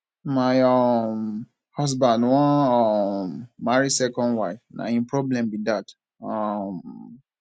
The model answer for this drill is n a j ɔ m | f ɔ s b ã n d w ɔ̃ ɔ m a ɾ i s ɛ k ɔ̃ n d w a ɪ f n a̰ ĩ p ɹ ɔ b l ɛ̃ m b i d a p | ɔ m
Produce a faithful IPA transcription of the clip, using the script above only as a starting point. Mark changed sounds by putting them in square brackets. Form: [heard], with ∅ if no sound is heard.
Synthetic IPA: [m] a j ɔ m | [h] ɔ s b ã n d w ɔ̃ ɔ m a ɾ i s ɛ k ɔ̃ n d w a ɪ f n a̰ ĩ p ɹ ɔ b l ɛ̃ m b i d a [t] | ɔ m